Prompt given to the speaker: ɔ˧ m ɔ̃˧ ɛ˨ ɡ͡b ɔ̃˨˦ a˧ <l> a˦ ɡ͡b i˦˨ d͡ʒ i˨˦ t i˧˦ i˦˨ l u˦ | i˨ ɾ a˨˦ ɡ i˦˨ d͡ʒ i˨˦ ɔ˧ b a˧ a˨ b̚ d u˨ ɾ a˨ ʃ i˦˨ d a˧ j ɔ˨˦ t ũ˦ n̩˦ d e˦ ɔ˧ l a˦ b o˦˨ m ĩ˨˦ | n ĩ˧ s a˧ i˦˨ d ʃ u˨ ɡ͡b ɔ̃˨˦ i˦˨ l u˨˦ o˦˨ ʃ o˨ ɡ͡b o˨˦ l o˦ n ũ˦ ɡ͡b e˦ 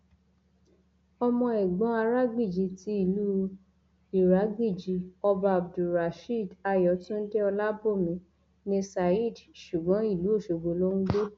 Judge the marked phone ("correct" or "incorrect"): incorrect